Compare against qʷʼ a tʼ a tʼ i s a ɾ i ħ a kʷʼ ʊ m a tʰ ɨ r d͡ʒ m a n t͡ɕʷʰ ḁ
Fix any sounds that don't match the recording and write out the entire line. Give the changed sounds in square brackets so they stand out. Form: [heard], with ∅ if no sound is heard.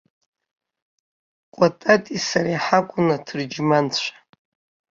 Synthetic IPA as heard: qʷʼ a tʼ a tʼ i s a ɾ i ħ a kʷʼ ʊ [n] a tʰ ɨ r d͡ʒ m a n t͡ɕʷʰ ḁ